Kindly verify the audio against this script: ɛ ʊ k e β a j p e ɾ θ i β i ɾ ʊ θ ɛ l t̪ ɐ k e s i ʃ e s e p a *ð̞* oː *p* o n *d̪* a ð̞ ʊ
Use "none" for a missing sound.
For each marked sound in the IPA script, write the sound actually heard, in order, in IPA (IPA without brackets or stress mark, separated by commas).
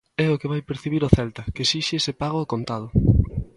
ɣ̞, k, t̪